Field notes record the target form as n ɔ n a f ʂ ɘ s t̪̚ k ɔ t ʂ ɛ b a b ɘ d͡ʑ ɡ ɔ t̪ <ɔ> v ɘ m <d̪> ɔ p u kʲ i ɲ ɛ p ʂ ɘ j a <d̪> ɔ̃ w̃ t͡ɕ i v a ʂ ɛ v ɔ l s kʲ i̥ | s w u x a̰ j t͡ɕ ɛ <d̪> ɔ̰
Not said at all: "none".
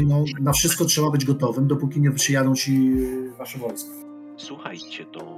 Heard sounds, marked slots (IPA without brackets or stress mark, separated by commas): ɔ, d̪, d̪, t̪